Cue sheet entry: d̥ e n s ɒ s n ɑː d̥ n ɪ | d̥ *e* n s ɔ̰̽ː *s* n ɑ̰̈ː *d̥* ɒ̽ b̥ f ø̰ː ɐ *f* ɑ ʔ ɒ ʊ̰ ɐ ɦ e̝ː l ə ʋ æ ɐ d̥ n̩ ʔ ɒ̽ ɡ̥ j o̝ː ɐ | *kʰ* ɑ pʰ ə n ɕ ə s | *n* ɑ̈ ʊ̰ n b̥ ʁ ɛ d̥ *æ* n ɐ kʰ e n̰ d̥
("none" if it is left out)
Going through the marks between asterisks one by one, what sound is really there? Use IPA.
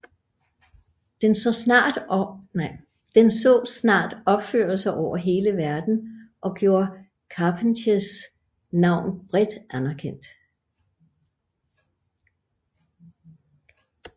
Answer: e, s, d̥, s, kʰ, n, æ

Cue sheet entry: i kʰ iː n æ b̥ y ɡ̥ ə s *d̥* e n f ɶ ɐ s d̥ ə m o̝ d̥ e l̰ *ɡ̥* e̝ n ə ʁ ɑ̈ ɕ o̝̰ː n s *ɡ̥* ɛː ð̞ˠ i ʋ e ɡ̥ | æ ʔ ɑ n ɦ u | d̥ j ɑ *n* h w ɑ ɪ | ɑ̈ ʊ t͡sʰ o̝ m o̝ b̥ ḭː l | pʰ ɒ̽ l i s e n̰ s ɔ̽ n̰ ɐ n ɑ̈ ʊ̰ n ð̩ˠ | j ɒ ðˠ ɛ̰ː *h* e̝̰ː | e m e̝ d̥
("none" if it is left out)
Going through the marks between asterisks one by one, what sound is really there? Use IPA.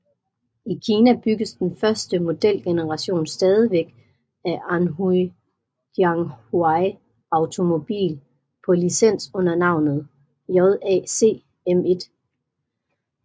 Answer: d̥, ɡ̥, d̥, ŋ, s

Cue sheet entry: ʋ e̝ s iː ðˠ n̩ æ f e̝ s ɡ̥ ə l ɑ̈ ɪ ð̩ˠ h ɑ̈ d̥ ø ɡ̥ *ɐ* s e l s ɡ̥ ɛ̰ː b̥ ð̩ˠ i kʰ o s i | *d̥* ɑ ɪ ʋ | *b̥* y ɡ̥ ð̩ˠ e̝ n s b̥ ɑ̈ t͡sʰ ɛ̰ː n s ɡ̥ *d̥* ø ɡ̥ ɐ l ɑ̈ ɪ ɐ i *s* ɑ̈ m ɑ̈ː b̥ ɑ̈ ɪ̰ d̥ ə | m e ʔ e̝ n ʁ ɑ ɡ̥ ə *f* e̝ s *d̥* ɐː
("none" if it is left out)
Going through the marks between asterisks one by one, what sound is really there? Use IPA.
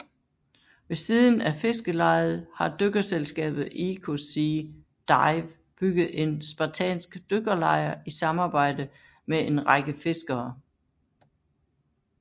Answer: ɐ, d̥, b̥, d̥, s, f, ɡ̥

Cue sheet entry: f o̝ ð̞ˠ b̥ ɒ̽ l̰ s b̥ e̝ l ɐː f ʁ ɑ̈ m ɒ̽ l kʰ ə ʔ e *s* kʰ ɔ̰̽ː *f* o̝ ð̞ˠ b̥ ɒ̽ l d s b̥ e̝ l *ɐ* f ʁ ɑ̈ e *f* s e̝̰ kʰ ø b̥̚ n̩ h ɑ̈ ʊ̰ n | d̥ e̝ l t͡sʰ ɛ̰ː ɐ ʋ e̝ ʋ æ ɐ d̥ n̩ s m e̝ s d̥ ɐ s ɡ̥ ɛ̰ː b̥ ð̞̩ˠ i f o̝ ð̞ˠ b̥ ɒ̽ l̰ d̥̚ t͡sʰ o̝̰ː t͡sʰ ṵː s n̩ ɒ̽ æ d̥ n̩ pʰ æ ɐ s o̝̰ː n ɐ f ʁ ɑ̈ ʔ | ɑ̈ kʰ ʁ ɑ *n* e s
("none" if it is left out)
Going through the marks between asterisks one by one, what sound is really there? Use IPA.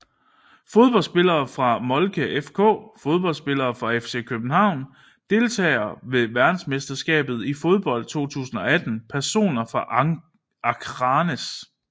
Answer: f, f, ɐː, f, n

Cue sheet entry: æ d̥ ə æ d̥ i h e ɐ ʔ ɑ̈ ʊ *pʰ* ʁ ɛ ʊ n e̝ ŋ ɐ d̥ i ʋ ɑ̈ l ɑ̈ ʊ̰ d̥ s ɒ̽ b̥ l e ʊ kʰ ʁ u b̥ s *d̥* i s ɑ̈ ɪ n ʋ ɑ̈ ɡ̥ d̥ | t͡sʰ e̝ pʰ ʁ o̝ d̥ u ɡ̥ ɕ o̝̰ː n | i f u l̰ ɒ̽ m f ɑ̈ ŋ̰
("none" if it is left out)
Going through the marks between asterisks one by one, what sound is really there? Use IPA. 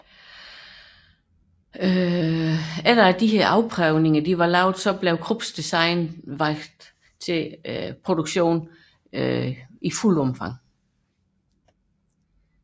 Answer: pʰ, d̥

